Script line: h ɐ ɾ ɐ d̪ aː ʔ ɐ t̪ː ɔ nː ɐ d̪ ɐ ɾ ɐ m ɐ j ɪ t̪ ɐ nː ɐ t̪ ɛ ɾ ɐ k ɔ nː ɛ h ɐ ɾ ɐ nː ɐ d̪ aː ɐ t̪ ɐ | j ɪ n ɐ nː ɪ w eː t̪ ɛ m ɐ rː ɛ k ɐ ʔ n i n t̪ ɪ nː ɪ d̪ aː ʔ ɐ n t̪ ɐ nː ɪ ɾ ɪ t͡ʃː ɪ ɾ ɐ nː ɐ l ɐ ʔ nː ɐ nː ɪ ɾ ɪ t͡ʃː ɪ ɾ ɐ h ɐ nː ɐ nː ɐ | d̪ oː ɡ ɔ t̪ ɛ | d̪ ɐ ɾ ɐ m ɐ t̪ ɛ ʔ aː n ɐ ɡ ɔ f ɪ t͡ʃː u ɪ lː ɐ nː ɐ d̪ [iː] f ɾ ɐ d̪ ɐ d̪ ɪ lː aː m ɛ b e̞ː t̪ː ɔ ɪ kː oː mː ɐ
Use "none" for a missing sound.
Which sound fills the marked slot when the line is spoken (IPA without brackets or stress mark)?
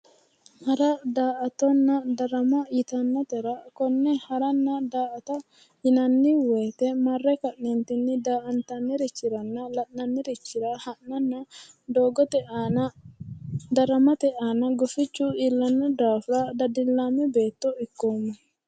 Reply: aː